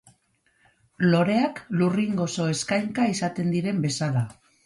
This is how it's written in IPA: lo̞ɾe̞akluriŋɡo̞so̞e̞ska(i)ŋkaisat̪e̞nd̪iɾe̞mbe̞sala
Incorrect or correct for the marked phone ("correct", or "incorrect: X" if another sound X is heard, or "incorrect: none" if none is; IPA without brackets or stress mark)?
incorrect: j